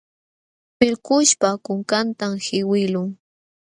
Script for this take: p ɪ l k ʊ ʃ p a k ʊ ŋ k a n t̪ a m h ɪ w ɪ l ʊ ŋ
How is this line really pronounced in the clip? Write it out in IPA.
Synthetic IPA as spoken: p ɪ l k ʊ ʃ p a k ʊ ŋ k a n t̪ a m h ɪ w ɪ l ʊ ŋ